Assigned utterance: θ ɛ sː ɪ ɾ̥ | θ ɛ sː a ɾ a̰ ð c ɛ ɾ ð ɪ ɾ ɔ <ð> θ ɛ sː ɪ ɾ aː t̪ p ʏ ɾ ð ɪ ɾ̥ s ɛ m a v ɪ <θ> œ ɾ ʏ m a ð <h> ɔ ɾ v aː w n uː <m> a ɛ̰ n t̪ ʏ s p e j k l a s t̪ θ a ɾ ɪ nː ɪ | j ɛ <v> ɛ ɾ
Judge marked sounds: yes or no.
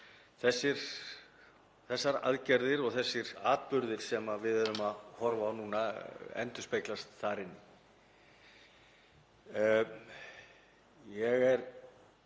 no, no, yes, no, no

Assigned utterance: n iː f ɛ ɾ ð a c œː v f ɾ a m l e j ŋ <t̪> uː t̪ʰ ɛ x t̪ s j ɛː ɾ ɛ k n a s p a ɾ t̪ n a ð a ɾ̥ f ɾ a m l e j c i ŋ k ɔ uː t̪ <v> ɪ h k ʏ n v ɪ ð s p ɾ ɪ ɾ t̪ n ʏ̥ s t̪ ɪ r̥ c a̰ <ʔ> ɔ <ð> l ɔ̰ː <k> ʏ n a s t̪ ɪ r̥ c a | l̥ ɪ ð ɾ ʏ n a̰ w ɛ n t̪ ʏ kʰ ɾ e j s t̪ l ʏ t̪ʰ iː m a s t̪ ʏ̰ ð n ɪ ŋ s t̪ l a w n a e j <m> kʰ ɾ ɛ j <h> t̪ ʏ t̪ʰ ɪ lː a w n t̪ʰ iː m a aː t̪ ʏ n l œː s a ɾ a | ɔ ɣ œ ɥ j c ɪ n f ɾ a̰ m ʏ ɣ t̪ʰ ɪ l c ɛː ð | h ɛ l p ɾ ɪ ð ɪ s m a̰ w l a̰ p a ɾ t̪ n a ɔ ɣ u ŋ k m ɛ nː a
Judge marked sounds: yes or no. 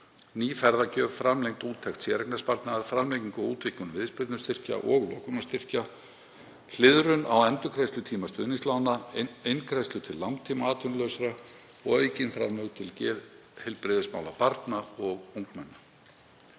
yes, yes, yes, no, yes, no, no

